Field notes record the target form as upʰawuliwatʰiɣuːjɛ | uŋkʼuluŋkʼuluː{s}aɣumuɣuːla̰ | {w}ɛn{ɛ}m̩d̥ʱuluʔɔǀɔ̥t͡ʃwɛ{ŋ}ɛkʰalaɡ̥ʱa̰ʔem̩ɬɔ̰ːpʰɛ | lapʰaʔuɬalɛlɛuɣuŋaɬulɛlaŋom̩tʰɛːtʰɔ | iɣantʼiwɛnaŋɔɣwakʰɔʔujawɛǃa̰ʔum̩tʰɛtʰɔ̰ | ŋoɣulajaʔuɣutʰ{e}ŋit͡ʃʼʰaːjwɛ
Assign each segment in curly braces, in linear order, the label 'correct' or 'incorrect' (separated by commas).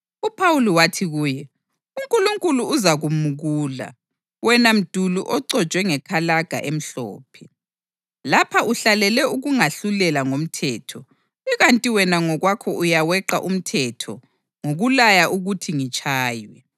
incorrect, correct, incorrect, correct, incorrect